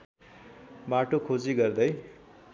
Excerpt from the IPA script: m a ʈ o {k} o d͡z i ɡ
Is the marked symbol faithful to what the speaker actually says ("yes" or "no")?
no